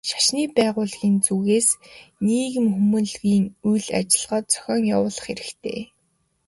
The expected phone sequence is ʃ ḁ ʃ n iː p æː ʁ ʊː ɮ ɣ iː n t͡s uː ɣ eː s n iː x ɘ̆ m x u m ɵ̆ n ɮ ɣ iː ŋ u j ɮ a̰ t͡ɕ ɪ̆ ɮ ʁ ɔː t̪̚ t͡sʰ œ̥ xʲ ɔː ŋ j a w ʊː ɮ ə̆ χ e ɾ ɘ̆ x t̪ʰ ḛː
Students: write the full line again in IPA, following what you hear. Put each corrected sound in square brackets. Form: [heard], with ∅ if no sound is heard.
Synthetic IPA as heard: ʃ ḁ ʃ n iː p æː ʁ ʊː ɮ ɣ iː n t͡s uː ɣ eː s n iː [ɣ] ɘ̆ m x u m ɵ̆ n ɮ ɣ iː ŋ u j ɮ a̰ t͡ɕ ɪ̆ ɮ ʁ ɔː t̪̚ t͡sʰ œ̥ xʲ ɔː ŋ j a w ʊː ɮ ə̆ χ e ɾ ɘ̆ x t̪ʰ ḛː